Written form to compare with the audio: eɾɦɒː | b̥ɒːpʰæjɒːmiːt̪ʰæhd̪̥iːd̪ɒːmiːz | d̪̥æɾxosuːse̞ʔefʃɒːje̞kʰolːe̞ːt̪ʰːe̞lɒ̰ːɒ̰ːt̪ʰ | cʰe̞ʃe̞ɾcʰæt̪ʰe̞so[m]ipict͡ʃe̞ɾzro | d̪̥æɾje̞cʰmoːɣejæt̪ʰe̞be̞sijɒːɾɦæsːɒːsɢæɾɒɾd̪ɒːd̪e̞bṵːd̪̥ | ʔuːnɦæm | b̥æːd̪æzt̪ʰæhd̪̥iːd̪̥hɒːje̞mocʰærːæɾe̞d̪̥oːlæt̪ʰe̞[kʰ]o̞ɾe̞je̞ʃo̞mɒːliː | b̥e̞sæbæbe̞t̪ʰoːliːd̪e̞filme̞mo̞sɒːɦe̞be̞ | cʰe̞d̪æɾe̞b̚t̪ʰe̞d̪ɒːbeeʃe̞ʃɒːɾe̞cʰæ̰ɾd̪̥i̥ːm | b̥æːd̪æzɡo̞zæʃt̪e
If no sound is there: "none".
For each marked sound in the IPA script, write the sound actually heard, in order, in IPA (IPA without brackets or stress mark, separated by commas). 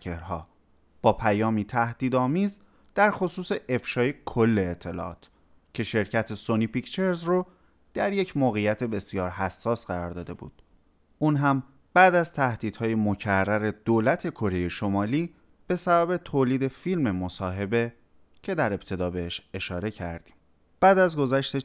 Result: n, kʰ